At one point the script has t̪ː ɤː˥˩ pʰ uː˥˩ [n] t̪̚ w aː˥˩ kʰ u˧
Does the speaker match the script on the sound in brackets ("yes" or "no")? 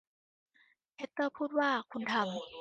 no